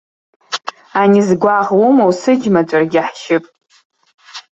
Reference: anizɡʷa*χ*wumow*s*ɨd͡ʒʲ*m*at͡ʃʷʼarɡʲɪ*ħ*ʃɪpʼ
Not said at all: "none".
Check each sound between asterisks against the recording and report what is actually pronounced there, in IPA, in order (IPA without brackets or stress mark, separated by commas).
ʁ, s, m, ħ